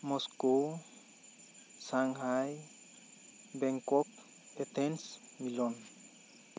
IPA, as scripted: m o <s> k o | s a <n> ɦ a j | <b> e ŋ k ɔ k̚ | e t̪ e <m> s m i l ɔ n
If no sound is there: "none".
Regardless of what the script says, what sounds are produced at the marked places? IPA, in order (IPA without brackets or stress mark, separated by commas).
s, ŋ, b, n